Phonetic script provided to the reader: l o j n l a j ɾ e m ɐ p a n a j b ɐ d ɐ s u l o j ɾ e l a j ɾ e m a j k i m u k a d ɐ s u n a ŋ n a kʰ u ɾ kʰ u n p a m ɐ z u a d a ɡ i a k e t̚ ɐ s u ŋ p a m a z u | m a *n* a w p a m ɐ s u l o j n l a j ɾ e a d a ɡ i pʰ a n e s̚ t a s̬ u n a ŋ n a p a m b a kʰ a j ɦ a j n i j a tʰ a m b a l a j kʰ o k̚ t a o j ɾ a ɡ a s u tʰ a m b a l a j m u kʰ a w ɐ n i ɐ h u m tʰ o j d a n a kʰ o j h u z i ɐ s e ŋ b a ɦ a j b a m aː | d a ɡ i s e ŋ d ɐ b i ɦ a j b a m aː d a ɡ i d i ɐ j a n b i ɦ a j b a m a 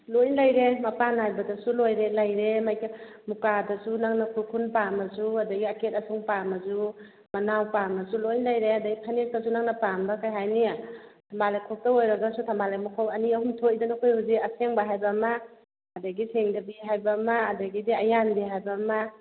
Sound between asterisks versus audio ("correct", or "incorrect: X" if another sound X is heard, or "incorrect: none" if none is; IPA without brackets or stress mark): correct